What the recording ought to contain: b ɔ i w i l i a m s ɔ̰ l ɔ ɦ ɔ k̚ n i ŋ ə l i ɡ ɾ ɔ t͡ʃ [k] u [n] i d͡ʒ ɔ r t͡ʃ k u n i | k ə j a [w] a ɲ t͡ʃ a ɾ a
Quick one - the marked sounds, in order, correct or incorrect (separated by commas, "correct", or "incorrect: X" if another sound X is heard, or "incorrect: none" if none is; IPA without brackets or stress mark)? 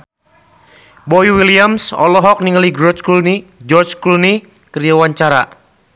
correct, correct, correct